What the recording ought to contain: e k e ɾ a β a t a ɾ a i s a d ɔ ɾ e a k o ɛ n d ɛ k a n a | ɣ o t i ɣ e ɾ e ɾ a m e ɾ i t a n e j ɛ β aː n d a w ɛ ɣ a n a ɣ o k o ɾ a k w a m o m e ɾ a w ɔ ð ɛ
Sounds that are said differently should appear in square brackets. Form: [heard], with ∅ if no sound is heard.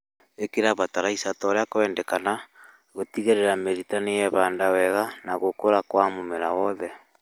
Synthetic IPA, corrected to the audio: e k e ɾ a β a t a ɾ a i s a [t] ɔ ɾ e a k o ɛ n d ɛ k a n a | ɣ o t i ɣ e ɾ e ɾ a m e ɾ i t a n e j ɛ β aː n d a w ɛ ɣ a n a ɣ o k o ɾ a k w a m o m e ɾ a w ɔ ð ɛ